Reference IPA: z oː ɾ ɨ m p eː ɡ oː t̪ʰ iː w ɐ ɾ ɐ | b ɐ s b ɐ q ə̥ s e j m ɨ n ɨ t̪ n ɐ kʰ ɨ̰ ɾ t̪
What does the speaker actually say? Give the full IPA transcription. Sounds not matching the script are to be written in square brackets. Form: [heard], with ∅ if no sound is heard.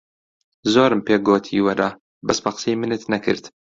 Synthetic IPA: z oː ɾ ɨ m p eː ɡ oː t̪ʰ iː w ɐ ɾ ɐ | b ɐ s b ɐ q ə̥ s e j m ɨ n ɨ t̪ n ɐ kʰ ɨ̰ ɾ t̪